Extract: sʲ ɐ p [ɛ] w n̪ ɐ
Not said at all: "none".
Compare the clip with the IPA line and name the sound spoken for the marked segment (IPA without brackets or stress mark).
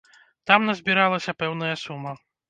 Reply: ɛ